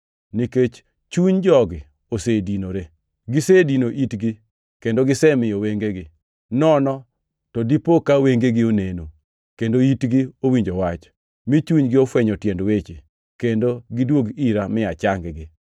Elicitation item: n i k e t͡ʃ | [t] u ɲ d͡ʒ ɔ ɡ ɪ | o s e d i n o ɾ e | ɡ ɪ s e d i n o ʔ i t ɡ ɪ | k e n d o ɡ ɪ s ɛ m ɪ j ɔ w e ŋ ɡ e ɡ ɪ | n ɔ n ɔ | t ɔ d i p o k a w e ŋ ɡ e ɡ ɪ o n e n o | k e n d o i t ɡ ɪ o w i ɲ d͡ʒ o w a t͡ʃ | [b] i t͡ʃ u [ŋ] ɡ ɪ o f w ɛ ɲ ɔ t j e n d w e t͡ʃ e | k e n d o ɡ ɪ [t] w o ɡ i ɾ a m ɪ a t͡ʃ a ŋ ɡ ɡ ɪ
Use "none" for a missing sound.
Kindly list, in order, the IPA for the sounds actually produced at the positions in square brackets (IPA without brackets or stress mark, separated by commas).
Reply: t͡ʃ, m, ɲ, d